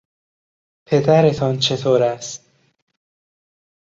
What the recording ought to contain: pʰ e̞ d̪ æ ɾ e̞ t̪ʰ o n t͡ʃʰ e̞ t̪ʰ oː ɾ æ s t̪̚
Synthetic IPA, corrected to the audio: pʰ e̞ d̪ æ ɾ e̞ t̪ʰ ɒ n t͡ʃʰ e̞ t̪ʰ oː ɾ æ s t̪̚